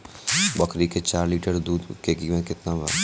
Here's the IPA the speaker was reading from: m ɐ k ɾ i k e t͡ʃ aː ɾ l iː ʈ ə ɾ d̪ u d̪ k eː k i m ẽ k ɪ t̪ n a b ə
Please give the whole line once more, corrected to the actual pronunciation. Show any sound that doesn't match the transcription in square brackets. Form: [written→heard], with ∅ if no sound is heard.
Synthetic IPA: [m→b] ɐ k ɾ i k e t͡ʃ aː ɾ l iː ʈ ə ɾ d̪ [u→uː] d̪ k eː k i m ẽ k ɪ t̪ n a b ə